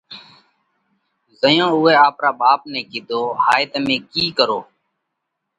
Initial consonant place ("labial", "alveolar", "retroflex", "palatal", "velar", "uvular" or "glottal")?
alveolar